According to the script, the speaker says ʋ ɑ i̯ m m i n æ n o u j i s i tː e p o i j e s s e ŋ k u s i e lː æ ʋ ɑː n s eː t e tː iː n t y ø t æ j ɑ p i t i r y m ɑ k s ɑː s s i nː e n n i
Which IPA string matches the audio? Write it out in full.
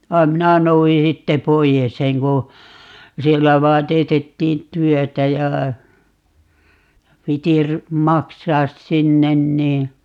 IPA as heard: ʋ ɑ i̯ m m i n æ n o u j i s i tː e p o i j e s s e ŋ k u s i e lː æ ʋ ɑː n t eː t e tː iː n t y ø t æ j ɑ p i t i r y m ɑ k s ɑː s s i nː e n n iː